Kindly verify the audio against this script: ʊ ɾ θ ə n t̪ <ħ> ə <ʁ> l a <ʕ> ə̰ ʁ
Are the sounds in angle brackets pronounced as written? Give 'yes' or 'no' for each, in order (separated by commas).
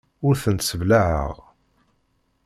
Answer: no, no, yes